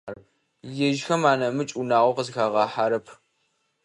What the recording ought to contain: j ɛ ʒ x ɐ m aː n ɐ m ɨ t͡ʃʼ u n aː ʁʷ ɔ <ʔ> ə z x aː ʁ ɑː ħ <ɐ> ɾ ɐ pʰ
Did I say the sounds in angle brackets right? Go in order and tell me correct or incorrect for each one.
incorrect: q, incorrect: a

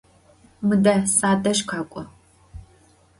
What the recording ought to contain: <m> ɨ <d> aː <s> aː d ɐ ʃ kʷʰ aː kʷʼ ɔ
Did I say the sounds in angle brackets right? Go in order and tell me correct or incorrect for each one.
correct, correct, correct

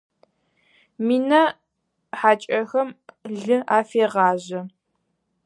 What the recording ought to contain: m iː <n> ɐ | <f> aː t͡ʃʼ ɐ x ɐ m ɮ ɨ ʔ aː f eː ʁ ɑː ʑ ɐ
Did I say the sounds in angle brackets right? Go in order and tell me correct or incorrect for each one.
correct, incorrect: ħ

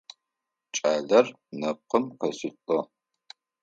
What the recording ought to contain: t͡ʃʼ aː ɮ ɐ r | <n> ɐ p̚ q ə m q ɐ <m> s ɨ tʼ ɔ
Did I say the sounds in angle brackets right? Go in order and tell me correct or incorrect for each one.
correct, incorrect: none

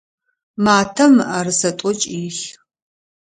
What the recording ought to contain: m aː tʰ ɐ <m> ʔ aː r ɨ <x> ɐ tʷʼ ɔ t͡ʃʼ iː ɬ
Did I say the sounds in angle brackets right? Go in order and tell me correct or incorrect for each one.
correct, incorrect: s

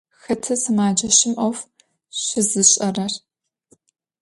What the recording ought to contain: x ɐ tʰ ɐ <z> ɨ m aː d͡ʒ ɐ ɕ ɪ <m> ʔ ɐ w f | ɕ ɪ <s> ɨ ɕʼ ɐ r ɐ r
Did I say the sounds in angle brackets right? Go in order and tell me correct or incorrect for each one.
incorrect: s, correct, incorrect: z

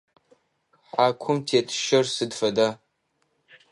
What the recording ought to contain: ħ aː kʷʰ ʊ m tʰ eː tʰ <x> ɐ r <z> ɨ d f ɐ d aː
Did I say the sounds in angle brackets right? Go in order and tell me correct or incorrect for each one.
incorrect: ʃ, incorrect: s

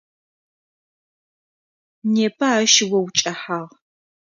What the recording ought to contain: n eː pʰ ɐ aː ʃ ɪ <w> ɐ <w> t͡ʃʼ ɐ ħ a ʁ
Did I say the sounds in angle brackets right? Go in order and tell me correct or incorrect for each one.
correct, correct

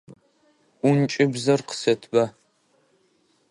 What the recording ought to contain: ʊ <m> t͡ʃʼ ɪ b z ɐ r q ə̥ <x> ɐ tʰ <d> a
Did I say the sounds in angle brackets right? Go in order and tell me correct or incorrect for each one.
incorrect: n, incorrect: s, incorrect: b

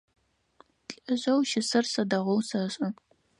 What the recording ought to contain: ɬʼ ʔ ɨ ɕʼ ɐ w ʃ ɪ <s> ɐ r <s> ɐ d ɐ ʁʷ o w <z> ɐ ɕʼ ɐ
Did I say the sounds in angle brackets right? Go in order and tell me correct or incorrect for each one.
correct, correct, incorrect: s

